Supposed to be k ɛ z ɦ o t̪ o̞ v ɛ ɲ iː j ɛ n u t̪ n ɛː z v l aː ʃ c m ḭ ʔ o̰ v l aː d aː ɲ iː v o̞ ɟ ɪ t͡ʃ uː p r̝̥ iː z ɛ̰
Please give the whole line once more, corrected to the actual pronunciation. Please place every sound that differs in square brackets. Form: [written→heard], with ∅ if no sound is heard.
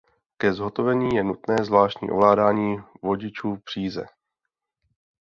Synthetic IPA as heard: k ɛ z ɦ o t̪ o̞ v ɛ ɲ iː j ɛ n u t̪ n ɛː z v l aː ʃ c [m→ɲ] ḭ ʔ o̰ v l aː d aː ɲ iː v o̞ ɟ ɪ t͡ʃ uː p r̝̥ iː z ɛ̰